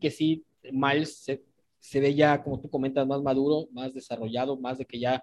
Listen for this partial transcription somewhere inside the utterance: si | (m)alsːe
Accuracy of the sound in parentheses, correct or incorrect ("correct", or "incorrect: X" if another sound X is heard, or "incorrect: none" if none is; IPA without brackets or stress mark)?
correct